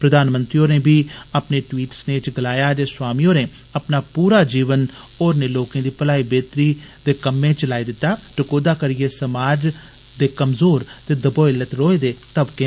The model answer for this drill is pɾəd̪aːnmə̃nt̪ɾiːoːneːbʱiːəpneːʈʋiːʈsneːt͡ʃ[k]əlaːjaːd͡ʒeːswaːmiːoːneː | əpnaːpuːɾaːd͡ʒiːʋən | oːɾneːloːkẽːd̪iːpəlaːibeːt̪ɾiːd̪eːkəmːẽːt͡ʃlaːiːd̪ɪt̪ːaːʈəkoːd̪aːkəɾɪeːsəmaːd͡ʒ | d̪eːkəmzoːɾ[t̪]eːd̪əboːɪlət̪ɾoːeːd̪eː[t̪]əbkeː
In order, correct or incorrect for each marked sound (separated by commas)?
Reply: incorrect, correct, correct